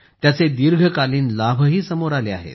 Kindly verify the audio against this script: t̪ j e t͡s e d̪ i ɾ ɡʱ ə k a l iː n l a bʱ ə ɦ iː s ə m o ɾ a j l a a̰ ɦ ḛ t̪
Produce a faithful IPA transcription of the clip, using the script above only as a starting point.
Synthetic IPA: t̪ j a t͡s e d̪ i ɾ ɡʱ ə k a l iː n l a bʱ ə ɦ iː s ə m o ɾ a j l e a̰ ɦ ḛ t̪